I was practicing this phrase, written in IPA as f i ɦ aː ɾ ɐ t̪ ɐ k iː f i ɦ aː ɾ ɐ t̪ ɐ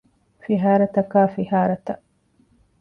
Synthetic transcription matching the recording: f i ɦ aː ɾ ɐ t̪ ɐ k aː f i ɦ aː ɾ ɐ t̪ ɐ